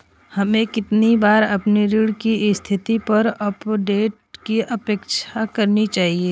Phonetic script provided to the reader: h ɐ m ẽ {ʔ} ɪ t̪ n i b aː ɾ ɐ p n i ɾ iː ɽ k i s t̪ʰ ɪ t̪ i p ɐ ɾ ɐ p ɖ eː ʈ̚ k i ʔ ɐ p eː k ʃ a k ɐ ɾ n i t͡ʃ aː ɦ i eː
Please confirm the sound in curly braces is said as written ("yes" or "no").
no